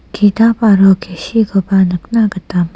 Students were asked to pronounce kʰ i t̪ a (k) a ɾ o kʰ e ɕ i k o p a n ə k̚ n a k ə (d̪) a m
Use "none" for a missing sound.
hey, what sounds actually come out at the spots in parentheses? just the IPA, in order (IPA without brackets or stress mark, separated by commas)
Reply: p, t̪